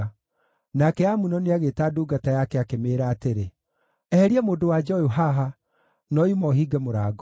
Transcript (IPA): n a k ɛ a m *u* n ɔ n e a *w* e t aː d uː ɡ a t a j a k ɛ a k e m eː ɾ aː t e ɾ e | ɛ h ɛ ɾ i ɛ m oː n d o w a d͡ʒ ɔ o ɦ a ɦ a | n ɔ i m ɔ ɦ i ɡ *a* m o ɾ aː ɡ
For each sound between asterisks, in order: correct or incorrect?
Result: correct, incorrect, incorrect

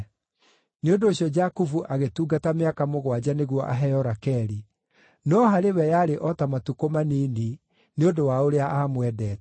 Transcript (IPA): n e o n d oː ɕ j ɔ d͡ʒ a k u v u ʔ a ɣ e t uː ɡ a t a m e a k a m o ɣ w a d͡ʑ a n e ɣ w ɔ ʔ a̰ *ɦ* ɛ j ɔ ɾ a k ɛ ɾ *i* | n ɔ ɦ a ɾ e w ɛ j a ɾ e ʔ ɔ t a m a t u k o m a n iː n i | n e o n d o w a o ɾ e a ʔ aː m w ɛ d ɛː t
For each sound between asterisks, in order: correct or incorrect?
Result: correct, correct

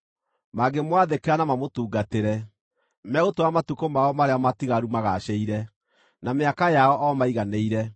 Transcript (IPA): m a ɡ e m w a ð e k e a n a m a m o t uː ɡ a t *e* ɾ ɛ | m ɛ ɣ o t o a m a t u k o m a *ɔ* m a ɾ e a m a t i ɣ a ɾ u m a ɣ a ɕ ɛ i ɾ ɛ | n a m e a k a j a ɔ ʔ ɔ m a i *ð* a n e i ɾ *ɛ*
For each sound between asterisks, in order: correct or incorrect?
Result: correct, correct, incorrect, correct

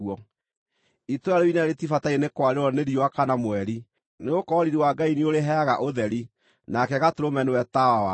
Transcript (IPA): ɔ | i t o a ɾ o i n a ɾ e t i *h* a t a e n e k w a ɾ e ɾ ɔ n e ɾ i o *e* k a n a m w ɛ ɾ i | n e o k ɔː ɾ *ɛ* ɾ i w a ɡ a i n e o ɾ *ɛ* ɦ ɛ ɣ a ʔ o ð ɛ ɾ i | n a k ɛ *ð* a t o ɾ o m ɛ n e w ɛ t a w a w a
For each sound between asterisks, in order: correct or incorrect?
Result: incorrect, incorrect, incorrect, incorrect, incorrect

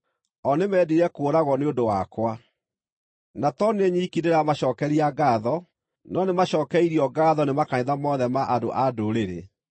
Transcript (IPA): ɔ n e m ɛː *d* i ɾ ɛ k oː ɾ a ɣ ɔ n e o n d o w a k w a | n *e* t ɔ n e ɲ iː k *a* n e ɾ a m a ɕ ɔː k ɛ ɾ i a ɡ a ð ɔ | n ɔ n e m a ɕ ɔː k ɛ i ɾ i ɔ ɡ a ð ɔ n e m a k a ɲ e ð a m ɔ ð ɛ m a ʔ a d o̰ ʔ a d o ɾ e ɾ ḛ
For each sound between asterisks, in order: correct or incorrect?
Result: correct, incorrect, incorrect

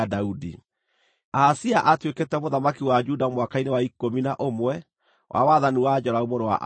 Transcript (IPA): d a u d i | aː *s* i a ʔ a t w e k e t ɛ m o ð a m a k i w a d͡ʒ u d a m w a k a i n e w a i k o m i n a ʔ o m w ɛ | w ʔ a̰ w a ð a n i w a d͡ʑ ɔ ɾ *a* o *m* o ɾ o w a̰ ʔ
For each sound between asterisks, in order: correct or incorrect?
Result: correct, correct, correct

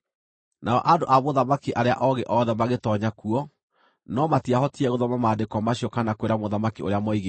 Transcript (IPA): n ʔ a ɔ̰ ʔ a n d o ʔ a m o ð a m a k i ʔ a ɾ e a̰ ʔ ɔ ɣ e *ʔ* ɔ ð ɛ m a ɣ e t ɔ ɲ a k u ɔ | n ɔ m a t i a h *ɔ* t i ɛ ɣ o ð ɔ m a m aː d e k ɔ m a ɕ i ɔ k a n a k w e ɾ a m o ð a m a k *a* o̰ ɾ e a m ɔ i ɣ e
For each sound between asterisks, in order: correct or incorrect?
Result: correct, correct, incorrect

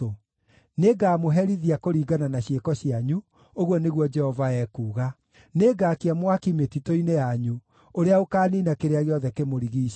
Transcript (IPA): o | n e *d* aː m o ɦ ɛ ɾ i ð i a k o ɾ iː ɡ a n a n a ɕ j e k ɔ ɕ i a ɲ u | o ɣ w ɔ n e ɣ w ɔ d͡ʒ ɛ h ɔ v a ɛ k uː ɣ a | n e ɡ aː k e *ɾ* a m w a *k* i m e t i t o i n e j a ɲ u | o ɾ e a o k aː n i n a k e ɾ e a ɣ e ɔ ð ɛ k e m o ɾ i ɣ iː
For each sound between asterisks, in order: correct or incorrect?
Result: incorrect, incorrect, correct

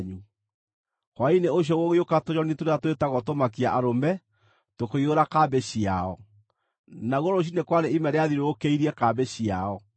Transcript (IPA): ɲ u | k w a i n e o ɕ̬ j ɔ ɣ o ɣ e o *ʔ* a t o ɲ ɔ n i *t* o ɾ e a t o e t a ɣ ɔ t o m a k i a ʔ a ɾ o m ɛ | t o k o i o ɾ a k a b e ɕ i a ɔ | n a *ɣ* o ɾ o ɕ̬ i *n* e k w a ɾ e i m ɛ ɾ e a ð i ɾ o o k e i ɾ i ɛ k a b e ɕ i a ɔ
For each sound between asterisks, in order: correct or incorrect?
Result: incorrect, correct, correct, correct

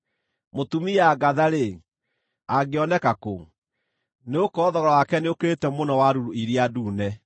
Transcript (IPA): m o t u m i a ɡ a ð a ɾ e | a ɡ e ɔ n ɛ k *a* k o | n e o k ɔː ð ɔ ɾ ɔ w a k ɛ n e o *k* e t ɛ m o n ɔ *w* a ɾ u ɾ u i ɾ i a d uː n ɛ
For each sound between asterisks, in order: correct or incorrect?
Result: correct, correct, correct

